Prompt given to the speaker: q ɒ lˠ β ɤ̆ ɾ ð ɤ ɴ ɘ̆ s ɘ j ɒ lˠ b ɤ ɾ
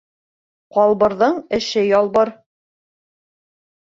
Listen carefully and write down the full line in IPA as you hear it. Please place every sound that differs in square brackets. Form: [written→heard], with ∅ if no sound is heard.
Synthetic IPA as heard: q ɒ lˠ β ɤ̆ ɾ ð ɤ ɴ ɘ̆ [s→ʃ] ɘ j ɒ lˠ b ɤ ɾ